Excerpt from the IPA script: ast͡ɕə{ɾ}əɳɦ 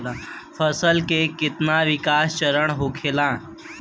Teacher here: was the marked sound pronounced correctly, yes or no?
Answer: yes